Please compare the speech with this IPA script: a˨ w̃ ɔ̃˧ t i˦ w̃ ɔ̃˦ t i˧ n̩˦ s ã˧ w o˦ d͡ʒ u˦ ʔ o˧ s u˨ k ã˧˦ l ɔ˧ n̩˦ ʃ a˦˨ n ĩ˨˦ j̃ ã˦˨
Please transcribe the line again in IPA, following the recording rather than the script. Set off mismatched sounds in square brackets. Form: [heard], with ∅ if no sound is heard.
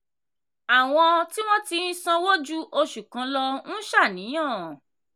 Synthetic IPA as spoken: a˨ w̃ ɔ̃˧ t i˦ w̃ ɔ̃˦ t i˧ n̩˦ s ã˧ w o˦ d͡ʒ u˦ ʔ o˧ [ʃ] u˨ k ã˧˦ l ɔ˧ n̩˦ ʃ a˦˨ n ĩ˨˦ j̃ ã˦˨